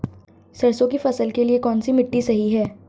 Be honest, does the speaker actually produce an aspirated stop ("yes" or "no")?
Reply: no